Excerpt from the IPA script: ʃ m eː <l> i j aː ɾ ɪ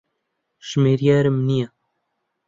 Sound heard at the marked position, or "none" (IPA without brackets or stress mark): ɾ